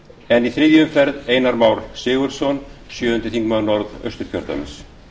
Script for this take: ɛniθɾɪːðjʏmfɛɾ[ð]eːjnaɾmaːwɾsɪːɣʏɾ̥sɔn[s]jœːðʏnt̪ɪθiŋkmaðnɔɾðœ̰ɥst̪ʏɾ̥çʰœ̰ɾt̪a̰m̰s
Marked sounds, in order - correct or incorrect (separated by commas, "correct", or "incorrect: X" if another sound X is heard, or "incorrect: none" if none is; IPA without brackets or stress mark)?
correct, correct